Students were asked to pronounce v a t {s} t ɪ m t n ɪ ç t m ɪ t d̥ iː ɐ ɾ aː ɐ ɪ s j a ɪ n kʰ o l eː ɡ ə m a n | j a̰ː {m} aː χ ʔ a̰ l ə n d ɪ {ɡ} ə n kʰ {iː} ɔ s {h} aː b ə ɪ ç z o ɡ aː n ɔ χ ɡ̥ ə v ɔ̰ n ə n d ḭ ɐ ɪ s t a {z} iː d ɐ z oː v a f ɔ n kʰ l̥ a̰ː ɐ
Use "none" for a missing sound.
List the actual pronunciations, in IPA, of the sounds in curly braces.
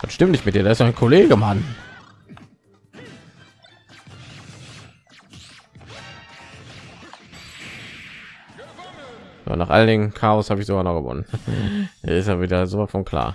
ʃ, n, ŋ, aː, h, v

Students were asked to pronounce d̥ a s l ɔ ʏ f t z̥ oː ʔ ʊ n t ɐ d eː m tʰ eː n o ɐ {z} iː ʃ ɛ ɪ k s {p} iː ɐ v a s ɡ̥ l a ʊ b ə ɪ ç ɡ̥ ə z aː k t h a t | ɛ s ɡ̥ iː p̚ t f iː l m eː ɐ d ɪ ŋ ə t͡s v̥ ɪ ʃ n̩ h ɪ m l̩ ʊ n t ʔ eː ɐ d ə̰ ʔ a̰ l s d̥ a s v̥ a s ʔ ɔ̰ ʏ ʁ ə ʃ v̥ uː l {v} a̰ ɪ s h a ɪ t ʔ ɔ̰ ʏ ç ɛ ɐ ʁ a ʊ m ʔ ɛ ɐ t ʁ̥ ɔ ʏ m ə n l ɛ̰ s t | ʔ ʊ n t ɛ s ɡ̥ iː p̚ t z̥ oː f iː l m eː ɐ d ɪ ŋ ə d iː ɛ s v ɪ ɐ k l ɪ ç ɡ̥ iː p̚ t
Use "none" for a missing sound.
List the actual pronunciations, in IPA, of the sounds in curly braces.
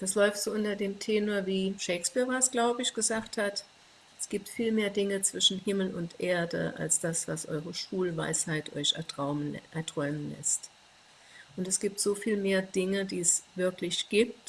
v, p, v

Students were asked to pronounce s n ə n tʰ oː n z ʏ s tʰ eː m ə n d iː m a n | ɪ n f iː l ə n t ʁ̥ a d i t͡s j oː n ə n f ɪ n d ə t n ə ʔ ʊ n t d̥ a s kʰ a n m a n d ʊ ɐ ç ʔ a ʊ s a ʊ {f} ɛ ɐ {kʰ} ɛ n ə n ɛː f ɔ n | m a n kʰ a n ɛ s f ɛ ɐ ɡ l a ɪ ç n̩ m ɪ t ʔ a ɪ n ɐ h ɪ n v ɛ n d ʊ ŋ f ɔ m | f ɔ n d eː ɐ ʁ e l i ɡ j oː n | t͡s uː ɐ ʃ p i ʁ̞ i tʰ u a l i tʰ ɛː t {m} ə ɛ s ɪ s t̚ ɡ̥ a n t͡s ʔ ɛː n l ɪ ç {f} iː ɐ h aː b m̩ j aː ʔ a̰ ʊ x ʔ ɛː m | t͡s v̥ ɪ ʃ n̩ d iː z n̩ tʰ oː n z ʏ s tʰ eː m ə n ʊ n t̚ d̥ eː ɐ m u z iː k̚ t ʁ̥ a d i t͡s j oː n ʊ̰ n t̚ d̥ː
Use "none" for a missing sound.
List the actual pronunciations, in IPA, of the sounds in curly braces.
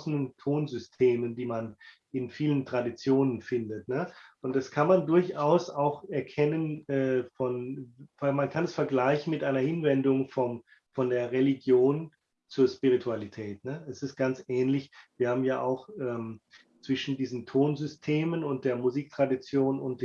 x, kʰ, n, v

